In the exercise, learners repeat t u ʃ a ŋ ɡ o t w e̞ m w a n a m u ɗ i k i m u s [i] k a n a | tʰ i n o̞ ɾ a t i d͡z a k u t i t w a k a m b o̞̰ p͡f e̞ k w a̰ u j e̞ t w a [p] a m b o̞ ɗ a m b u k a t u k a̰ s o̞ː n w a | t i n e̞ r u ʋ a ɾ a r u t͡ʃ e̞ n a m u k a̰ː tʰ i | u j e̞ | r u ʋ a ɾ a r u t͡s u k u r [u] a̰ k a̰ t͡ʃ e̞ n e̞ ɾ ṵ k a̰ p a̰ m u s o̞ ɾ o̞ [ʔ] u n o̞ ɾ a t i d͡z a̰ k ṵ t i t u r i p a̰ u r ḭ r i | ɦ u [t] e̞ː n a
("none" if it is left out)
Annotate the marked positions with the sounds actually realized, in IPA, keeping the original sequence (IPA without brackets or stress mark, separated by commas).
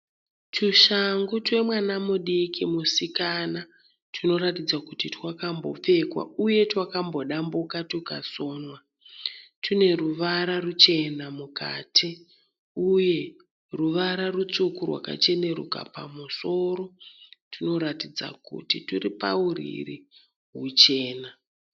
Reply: i, k, w, t, t͡ʃ